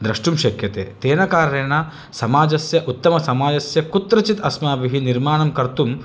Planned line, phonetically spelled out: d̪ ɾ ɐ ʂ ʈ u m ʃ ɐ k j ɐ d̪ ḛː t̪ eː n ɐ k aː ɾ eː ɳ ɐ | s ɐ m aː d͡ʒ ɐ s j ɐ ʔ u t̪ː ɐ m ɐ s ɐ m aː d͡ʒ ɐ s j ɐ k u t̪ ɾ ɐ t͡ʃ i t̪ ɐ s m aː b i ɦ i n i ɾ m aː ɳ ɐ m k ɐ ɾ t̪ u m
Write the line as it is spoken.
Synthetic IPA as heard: d̪ ɾ ɐ ʂ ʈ u m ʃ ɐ k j ɐ t̪ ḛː t̪ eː n ɐ k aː ɾ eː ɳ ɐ | s ɐ m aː d͡ʒ ɐ s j ɐ ʔ u t̪ː ɐ m ɐ s ɐ m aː d͡ʒ ɐ s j ɐ k u t̪ ɾ ɐ t͡ʃ i t̪ ɐ s m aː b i ɦ i n i ɾ m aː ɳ ɐ m k ɐ ɾ t̪ u m